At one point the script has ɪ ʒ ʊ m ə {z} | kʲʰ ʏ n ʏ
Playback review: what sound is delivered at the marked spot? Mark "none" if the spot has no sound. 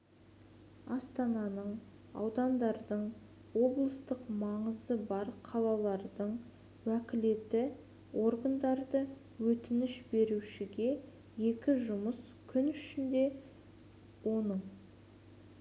s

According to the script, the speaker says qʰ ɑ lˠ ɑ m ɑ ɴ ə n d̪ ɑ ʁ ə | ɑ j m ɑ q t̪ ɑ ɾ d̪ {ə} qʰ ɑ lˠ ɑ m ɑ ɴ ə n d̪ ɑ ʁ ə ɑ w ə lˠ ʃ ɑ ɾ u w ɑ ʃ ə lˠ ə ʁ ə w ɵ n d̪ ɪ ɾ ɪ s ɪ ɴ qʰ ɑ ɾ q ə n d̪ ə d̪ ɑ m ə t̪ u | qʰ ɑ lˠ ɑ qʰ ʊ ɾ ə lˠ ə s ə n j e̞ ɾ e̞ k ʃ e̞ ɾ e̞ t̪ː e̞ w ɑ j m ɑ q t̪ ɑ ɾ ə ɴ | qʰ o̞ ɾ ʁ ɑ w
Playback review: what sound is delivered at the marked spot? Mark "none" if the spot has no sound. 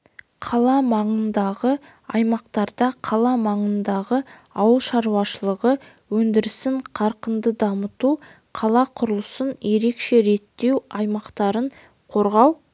ɑ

